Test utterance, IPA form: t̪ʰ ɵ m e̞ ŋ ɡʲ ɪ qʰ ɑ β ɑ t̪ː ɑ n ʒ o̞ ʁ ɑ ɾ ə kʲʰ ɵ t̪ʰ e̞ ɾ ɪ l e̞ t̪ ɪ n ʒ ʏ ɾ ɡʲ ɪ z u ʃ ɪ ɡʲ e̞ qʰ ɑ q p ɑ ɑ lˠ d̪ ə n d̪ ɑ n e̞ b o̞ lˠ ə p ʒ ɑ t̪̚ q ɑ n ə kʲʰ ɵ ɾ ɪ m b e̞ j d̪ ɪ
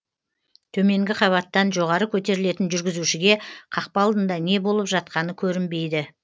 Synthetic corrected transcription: t̪ʰ ɵ m e̞ ŋ ɡʲ ɪ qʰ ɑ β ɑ t̪ː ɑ n ʒ o̞ ʁ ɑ ɾ ə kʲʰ ɵ t̪ e̞ ɾ ɪ l e̞ t̪ ɪ n ʒ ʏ ɾ ɡʲ ɪ z u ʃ ɪ ɡʲ e̞ qʰ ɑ q p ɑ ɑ lˠ d̪ ə n d̪ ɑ n e̞ b o̞ lˠ ə p ʒ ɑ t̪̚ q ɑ n ə kʲʰ ɵ ɾ ɪ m b e̞ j d̪ ɪ